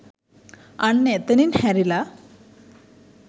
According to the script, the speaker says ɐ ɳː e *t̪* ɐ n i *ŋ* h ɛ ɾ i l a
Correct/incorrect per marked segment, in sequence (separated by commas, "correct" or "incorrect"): correct, incorrect